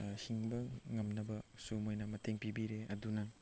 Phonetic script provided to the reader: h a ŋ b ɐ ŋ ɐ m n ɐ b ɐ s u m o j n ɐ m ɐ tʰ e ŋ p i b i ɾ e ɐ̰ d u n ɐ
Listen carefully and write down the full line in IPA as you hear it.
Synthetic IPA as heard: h i ŋ b ɐ ŋ ɐ m n ɐ b ɐ s u m o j n ɐ m ɐ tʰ e ŋ p i b i ɾ e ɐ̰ d u n ɐ